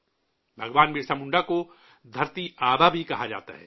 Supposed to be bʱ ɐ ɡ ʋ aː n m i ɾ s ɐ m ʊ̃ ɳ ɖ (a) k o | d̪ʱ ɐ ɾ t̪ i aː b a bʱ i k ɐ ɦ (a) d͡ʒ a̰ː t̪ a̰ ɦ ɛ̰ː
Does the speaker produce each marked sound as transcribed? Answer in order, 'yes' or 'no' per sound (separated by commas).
yes, yes